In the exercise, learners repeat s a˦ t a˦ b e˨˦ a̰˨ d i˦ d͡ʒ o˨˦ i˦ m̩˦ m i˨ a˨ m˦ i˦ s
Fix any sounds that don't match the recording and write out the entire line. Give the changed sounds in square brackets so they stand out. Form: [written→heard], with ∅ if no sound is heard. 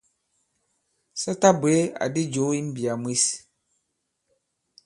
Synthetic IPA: s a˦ t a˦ b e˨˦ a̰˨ d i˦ d͡ʒ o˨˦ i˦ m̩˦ [m→b] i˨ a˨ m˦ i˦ s